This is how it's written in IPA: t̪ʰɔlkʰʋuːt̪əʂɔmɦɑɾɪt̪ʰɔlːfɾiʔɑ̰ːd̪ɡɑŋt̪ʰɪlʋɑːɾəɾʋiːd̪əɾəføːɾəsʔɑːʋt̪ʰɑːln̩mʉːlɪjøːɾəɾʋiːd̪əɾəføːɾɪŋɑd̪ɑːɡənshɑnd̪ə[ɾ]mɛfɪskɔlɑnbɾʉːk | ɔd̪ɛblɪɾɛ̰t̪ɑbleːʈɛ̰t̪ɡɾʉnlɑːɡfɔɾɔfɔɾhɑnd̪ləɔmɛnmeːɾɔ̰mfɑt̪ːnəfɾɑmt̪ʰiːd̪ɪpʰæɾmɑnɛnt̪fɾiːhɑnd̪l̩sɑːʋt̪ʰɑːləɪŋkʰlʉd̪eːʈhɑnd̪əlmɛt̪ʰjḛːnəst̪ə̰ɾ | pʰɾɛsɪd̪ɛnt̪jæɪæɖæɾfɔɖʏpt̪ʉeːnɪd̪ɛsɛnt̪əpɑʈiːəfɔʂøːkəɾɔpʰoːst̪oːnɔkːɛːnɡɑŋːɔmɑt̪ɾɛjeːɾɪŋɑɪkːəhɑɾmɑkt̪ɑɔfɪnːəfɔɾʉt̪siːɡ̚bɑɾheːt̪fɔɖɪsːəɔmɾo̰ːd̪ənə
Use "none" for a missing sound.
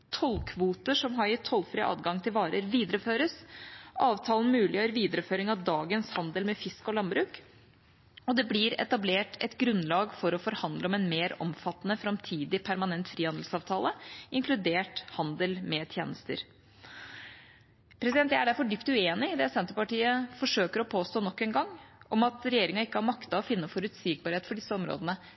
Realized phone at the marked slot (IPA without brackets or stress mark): l